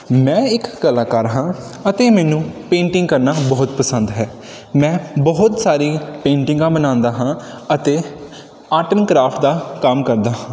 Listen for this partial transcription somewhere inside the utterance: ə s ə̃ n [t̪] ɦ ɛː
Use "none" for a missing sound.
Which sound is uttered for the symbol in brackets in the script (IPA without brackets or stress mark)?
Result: d̪